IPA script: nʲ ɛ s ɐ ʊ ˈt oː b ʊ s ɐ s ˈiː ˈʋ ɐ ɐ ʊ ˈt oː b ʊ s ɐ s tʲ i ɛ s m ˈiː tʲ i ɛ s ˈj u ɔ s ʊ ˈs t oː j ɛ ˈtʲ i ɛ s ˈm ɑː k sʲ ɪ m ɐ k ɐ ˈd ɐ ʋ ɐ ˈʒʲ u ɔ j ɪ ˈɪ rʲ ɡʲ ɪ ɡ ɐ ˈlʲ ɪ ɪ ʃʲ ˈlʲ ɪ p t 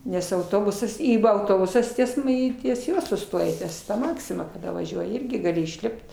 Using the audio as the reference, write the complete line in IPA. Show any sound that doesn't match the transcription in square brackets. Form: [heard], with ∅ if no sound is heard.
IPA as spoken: nʲ ɛ s ɐ ʊ ˈt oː b ʊ s ɐ s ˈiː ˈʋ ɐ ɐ ʊ ˈt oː b ʊ s ɐ s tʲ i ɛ s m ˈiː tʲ i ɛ s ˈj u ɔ s ʊ ˈs t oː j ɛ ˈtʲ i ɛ s ˈm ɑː k sʲ ɪ m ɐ k ɐ ˈd ɐ ʋ ɐ ˈʒʲ u ɔ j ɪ ˈɪ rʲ ɡʲ ɪ ɡ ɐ ˈlʲ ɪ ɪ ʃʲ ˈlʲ ɪ p t